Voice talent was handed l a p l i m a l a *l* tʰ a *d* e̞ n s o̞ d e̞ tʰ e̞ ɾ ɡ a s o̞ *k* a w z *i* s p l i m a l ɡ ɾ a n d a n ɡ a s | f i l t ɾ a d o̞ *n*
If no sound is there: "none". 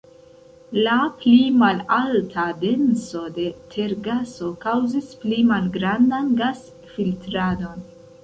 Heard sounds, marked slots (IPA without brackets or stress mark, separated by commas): l, d, k, i, n